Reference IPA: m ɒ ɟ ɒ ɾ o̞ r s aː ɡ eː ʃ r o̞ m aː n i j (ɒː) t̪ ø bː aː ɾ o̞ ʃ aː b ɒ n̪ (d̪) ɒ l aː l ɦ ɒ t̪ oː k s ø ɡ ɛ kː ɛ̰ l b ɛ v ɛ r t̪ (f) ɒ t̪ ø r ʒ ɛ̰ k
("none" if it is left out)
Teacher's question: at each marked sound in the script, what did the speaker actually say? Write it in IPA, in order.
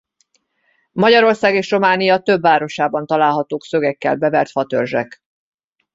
ɒ, t̪, f

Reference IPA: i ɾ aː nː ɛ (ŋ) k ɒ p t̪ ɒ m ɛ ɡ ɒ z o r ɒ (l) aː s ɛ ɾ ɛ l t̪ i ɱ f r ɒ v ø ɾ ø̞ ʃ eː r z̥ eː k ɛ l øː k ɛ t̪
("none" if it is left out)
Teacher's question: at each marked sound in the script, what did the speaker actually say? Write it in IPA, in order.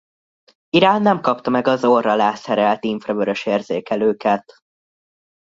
m, l

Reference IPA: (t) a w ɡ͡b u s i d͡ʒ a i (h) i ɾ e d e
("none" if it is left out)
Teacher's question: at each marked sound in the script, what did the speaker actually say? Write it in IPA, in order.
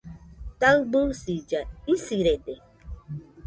t, s

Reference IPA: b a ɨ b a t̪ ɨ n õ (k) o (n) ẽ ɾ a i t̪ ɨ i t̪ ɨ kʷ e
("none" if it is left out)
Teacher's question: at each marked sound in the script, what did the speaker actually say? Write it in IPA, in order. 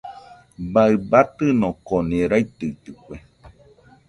k, n

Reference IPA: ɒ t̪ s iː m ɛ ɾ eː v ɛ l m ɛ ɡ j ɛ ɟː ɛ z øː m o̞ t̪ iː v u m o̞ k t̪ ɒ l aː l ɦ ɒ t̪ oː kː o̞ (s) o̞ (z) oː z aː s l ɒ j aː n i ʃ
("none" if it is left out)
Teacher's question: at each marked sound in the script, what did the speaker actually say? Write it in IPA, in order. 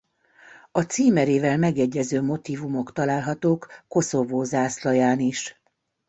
s, v

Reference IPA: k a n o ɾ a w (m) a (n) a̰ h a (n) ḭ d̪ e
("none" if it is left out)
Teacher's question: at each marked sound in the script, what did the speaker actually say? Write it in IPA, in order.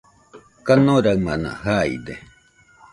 m, n, none

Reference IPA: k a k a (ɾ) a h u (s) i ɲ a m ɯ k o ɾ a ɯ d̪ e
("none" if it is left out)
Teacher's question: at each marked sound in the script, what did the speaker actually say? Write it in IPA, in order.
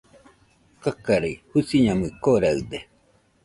ɾ, s

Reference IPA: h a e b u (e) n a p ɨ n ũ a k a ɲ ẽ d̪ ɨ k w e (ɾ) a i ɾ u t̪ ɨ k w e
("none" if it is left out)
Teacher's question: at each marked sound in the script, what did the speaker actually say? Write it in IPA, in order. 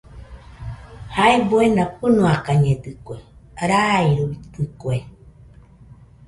e, ɾ

